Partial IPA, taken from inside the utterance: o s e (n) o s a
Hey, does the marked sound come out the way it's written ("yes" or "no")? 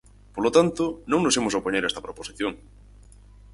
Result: no